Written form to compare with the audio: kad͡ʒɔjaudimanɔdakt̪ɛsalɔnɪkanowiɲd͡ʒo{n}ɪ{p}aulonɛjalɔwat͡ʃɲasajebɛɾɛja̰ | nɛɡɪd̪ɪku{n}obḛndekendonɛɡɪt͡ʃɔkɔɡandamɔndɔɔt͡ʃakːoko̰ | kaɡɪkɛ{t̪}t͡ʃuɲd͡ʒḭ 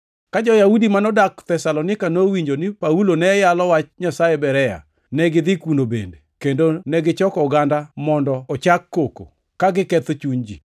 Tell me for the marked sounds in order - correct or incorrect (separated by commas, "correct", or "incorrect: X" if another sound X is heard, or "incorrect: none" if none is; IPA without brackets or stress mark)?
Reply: correct, correct, correct, correct